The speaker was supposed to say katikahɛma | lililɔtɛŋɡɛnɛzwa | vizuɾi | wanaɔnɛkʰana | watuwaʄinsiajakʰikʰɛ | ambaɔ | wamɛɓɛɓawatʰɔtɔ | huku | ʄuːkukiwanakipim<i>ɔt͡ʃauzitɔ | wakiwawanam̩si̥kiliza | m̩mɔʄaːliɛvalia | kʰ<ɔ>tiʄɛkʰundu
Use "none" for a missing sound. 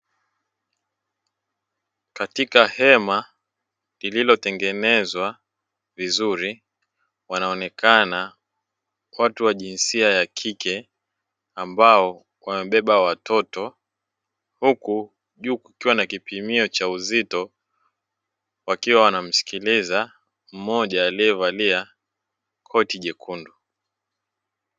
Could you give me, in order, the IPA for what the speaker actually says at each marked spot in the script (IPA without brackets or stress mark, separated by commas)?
i, ɔ